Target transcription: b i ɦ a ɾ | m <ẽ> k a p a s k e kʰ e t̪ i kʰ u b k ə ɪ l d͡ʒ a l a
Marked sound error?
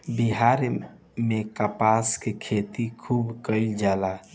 yes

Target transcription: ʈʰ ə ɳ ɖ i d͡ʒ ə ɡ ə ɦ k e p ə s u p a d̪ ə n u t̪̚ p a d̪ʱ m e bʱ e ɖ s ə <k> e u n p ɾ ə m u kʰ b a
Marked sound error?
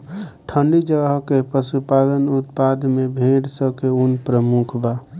no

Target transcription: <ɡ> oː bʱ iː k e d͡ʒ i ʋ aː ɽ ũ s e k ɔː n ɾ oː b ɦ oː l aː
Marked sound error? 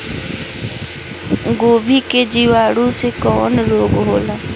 no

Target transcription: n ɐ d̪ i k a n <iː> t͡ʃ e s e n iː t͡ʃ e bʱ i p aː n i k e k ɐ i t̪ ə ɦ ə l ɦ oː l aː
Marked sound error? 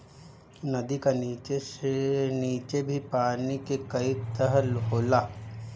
no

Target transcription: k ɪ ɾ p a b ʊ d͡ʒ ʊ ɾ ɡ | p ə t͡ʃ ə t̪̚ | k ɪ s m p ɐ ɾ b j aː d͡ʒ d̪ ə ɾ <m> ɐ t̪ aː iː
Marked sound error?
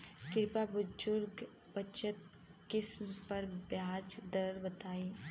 yes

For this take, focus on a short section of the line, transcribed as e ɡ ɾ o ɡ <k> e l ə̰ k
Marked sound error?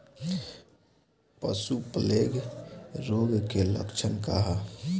no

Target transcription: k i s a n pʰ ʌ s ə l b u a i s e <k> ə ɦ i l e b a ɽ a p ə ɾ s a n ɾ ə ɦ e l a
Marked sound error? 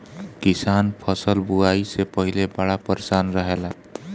yes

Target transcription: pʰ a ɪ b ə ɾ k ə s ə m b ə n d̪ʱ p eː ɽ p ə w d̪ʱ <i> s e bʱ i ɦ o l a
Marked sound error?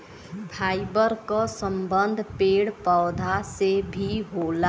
yes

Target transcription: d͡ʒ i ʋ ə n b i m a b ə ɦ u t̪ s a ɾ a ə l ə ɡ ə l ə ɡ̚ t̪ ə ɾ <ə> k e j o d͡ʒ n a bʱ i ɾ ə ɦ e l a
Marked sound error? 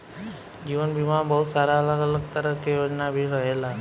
no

